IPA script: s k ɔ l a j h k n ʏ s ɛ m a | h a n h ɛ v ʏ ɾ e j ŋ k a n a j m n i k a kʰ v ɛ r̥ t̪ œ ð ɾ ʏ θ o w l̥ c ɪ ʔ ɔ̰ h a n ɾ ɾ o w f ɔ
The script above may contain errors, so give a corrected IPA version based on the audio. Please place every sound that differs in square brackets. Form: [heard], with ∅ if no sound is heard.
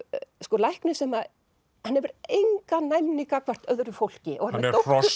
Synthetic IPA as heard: s k ɔ l a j h k n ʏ s ɛ m a | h a n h ɛ v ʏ ɾ e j ŋ k a n a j m n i k a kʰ v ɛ r̥ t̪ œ ð ɾ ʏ [f] o w l̥ c ɪ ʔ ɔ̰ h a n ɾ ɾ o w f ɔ